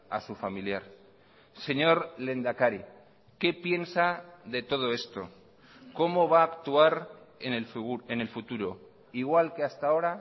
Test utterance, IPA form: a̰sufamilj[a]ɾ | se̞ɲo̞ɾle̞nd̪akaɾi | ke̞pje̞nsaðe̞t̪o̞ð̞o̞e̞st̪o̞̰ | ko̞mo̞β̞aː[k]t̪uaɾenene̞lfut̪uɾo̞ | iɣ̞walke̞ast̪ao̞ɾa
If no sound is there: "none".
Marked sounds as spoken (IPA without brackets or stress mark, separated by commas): a, k